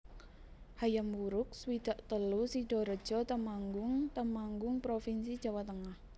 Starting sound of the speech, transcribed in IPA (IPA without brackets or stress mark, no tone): h